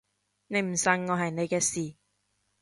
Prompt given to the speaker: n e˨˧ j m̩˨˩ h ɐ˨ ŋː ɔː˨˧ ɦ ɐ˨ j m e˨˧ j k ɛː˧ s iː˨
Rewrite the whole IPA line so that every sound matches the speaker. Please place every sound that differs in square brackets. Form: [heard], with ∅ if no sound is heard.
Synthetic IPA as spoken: n e˨˧ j m̩˨˩ [s] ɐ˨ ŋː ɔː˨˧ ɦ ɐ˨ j [n] e˨˧ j k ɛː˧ s iː˨